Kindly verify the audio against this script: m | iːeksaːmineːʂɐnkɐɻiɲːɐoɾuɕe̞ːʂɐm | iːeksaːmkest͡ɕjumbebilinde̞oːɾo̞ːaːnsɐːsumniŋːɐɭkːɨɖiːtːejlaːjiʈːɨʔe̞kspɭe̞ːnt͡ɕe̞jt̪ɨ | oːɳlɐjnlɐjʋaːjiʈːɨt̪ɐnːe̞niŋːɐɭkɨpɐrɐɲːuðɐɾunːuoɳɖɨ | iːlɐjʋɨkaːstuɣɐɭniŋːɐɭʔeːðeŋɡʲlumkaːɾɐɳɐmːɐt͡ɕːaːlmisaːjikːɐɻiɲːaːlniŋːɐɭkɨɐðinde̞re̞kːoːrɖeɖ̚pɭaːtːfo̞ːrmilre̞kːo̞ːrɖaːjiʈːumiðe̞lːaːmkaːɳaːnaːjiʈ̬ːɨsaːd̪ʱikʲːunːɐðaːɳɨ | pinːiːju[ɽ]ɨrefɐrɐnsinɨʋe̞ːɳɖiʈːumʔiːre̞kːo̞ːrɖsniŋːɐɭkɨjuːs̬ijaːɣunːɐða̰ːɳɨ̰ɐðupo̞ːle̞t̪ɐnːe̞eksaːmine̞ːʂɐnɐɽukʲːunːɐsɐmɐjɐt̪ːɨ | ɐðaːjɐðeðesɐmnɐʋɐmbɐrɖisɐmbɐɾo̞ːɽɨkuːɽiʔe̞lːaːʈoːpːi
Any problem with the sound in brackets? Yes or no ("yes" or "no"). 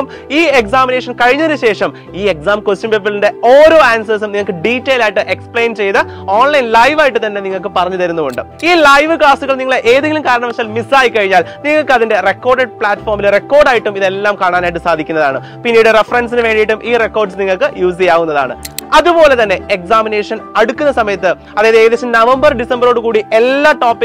no